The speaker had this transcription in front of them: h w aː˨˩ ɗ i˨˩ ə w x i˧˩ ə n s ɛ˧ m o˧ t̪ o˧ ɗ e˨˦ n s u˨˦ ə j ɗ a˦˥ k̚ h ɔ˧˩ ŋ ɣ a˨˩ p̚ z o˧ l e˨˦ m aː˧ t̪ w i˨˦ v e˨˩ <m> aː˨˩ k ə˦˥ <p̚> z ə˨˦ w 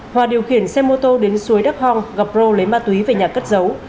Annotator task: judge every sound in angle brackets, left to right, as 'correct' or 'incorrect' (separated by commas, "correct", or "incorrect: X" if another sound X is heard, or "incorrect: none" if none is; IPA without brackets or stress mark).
incorrect: ɲ, incorrect: t̚